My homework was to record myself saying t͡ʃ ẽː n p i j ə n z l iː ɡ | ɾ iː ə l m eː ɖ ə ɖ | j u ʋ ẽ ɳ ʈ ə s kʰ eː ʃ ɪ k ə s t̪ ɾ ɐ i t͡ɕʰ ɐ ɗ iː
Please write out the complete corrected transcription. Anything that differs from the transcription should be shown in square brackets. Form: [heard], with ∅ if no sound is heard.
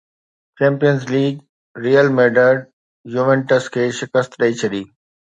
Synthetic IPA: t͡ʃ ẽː [m] p i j ə n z l iː ɡ | ɾ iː ə l m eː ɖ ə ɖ | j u ʋ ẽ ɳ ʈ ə s kʰ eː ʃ ɪ k ə s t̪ ɾ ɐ i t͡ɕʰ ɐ ɗ iː